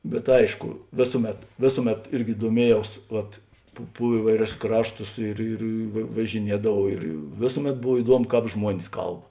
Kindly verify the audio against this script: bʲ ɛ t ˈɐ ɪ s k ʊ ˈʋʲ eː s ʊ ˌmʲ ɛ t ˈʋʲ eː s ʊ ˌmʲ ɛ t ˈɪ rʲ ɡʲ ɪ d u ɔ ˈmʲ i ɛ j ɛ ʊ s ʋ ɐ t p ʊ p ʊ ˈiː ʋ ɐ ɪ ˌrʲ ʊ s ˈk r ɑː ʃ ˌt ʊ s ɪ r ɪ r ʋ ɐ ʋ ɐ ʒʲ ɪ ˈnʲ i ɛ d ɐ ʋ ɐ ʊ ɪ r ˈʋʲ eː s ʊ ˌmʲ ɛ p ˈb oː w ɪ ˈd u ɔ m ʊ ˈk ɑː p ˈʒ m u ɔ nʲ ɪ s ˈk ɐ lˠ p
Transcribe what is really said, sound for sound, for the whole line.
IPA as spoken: bʲ ɛ t ˈɐ ɪ ʃ k ʊ ˈʋʲ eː s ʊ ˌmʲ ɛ t ˈʋʲ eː s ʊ ˌmʲ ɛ t ˈɪ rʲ ɡʲ ɪ d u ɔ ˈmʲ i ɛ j ɛ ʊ s ʋ ɐ t p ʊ p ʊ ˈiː ʋ ɐ ɪ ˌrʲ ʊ s ˈk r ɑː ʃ ˌt ʊ s ɪ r ɪ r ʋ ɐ ʋ ɐ ʒʲ ɪ ˈnʲ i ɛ d ɐ ʋ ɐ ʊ ɪ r ˈʋʲ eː s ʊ ˌmʲ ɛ t ˈb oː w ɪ ˈd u ɔ m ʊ ˈk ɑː p ˈʒ m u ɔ nʲ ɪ s ˈk ɐ lˠ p